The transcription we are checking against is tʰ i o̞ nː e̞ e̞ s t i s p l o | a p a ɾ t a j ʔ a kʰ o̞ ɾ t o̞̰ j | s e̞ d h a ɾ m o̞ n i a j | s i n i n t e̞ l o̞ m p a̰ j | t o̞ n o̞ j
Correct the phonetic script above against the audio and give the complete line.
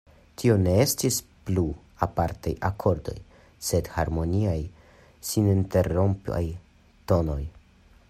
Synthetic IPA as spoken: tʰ i o̞ n e̞ e̞ s t i s p l u | a p a ɾ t a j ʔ a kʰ o̞ ɾ d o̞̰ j | s e̞ d h a ɾ m o̞ n i a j | s i n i n t e̞ ɾ o̞ m p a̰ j | t o̞ n o̞ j